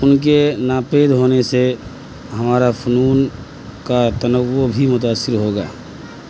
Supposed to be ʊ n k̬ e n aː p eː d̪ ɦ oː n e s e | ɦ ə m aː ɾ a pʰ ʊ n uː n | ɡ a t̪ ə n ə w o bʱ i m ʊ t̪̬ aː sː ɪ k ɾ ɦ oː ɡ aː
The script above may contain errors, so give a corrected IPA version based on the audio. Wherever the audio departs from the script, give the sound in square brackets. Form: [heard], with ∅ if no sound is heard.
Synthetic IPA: ʊ n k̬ e n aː p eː d̪ ɦ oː n e s e | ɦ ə m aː ɾ a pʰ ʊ n uː n | [k] a t̪ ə n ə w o bʱ i m ʊ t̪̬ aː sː ɪ [∅] ɾ ɦ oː ɡ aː